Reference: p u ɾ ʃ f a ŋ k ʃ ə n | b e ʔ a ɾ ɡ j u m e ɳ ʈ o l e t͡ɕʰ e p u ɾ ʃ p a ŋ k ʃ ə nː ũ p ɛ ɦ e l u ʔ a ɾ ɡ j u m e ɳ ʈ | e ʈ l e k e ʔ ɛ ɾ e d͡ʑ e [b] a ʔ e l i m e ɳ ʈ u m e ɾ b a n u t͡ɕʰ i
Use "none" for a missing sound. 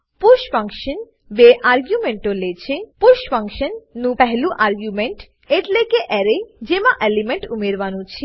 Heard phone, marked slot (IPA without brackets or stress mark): m